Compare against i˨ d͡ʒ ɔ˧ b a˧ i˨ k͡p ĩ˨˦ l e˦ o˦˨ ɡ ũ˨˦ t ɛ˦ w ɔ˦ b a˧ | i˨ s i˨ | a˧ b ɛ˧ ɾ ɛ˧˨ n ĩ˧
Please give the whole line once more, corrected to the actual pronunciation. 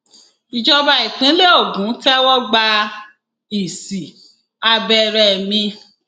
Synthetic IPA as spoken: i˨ d͡ʒ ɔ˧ b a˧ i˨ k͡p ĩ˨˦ l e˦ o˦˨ ɡ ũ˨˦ t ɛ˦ w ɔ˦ ɡ͡b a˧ | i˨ s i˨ | a˧ b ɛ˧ ɾ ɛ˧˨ m ĩ˧

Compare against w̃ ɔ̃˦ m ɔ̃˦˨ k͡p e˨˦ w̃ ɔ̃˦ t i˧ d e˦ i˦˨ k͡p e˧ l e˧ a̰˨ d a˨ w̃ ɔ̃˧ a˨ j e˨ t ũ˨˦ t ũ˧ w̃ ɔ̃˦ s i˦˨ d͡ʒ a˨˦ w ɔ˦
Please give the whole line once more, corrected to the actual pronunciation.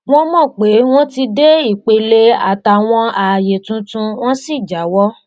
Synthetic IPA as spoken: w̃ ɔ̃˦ m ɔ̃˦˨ k͡p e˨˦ w̃ ɔ̃˦ t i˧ d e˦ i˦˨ k͡p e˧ l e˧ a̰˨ t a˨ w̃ ɔ̃˧ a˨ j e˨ t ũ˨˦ t ũ˧ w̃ ɔ̃˦ s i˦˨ d͡ʒ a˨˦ w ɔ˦

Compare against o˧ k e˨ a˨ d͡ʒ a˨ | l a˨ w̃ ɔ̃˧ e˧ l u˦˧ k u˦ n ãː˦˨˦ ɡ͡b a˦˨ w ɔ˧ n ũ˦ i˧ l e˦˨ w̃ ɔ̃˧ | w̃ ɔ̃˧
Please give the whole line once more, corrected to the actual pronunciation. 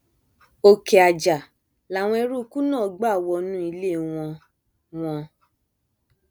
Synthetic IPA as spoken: o˧ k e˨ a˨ d͡ʒ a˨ | l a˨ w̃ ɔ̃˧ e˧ ɾ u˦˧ k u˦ n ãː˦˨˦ ɡ͡b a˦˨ w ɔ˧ n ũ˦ i˧ l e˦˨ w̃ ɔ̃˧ | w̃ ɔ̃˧

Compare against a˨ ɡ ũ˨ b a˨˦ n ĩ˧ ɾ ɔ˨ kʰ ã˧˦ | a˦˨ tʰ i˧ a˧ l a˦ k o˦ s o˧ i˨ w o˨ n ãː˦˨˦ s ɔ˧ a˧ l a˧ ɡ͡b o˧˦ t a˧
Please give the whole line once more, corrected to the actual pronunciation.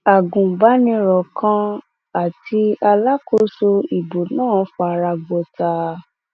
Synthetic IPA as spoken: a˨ ɡ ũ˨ b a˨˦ n ĩ˧ ɾ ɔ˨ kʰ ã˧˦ | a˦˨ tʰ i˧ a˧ l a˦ k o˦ s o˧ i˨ b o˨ n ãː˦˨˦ f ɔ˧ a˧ ɾ a˧ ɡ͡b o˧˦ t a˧

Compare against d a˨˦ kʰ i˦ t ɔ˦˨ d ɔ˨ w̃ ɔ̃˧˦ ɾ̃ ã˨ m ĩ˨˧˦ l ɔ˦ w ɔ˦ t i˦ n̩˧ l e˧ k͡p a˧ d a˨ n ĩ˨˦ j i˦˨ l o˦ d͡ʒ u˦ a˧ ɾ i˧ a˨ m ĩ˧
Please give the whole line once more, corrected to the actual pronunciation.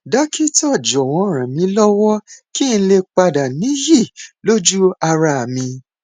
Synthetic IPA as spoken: d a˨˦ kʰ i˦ t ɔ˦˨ d͡ʒ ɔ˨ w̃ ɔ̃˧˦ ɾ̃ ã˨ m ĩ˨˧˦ l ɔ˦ w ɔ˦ k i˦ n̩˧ l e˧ k͡p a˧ d a˨ n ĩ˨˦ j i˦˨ l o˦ d͡ʒ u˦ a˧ ɾ a˧ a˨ m ĩ˧

